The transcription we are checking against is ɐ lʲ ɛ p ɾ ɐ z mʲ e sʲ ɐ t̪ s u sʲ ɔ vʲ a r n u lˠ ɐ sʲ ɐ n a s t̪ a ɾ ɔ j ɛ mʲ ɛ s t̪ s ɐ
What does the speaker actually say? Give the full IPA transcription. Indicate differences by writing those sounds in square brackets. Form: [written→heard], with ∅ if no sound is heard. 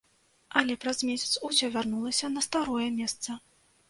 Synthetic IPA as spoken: ɐ lʲ ɛ p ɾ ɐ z mʲ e sʲ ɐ t̪ s u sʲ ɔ vʲ a r n u lˠ ɐ sʲ ɐ n [a→ɐ] s t̪ a ɾ ɔ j ɛ mʲ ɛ s t̪ s ɐ